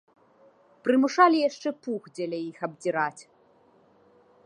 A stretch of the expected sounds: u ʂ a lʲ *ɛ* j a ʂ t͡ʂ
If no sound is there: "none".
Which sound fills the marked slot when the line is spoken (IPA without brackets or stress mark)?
i